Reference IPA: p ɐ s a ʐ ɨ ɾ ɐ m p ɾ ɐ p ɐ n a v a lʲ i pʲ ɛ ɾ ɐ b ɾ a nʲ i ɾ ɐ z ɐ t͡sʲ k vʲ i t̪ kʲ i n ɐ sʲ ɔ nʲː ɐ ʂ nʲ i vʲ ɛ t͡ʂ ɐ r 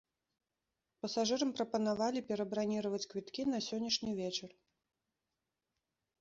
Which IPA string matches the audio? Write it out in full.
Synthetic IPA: p ɐ s a ʐ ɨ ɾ ɐ m p ɾ ɐ p ɐ n a v a lʲ i pʲ ɛ ɾ ɐ b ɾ a nʲ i ɾ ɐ v ɐ t͡sʲ k vʲ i t̪ kʲ i n ɐ sʲ ɔ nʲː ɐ ʂ nʲ i vʲ ɛ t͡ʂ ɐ r